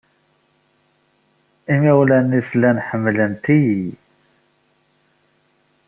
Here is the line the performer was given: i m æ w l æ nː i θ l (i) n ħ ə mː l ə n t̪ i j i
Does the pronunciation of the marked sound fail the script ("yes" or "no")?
yes